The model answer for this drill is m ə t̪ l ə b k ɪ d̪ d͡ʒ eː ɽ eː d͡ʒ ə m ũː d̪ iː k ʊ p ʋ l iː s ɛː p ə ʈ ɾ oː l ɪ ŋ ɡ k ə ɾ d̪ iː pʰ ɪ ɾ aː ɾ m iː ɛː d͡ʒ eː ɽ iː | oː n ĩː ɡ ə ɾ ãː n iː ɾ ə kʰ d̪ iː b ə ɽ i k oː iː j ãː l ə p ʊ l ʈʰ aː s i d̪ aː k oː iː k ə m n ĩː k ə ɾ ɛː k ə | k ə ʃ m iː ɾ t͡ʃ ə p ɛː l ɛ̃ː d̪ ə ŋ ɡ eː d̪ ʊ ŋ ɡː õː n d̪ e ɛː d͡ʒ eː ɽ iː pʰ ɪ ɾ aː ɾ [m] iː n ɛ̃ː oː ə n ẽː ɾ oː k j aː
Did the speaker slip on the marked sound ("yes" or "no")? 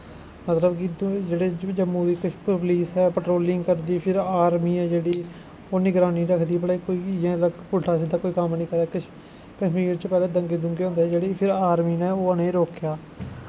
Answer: no